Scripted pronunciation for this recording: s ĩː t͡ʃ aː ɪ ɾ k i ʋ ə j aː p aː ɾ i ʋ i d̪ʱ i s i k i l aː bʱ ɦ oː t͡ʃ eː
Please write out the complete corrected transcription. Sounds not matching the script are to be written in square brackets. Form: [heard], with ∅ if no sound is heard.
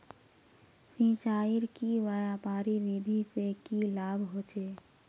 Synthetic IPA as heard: s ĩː t͡ʃ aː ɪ ɾ k i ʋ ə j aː p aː ɾ i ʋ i d̪ʱ i s [e] k i l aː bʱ ɦ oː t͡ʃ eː